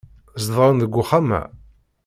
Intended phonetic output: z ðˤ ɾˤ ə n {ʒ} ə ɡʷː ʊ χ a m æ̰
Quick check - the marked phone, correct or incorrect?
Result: incorrect